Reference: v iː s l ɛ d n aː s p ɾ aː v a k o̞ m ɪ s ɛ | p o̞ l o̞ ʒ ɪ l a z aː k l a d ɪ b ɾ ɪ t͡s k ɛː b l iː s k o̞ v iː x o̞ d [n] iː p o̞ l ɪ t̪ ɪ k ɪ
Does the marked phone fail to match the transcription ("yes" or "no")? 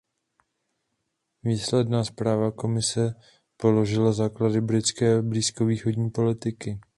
yes